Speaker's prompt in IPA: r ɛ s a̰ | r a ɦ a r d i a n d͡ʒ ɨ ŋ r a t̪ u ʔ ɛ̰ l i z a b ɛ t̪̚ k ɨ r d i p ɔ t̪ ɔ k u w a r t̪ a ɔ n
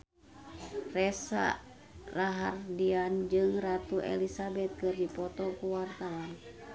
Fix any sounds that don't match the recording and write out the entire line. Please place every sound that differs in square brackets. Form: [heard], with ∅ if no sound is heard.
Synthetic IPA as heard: r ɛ s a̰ | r a ɦ a r d i a n d͡ʒ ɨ ŋ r a t̪ u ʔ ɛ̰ l i [s] a b ɛ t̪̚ k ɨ r d i p ɔ t̪ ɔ k u w a r t̪ a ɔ n